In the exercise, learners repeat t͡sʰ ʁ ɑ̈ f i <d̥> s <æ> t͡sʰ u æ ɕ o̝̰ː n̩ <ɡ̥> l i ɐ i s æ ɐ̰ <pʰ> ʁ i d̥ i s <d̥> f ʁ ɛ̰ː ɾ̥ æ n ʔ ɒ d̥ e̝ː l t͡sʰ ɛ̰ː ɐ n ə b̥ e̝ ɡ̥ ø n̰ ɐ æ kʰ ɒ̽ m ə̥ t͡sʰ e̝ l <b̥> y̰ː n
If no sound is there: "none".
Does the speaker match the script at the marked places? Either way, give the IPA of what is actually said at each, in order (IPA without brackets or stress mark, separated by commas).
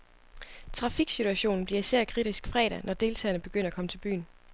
ɡ̥, i, b̥, kʰ, ɡ̥, b̥